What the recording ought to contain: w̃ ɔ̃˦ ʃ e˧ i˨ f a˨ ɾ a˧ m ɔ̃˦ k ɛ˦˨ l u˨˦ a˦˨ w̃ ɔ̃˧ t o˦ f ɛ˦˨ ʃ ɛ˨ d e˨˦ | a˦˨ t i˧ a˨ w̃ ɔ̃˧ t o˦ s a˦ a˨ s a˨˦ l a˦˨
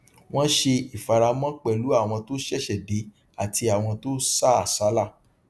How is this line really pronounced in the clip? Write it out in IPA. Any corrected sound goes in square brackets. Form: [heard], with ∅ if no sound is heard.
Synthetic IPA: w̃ ɔ̃˦ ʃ e˧ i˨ f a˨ ɾ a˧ m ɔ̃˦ [k͡p] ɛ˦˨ l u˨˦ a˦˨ w̃ ɔ̃˧ t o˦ [ʃ] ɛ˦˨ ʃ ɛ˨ d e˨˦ | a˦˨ t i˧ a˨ w̃ ɔ̃˧ t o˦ s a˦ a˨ s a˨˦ l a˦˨